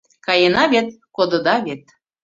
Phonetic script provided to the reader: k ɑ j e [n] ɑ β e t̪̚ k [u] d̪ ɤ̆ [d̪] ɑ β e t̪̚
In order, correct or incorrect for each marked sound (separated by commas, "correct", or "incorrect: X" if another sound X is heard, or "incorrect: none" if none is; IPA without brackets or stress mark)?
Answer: correct, incorrect: o, correct